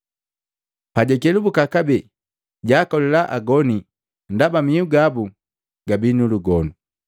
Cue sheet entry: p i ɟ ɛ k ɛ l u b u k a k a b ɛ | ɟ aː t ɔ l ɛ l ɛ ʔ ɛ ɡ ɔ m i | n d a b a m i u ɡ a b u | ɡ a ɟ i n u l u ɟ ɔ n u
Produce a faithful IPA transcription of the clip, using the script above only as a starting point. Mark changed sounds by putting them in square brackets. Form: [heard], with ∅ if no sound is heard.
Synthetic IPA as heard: p [a] ɟ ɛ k ɛ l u b u k a k a b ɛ | ɟ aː [k] ɔ l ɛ l [a] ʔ [a] ɡ ɔ [n] i | n d a b a m i u ɡ a b u | ɡ a [b] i n u l u [ɡ] ɔ n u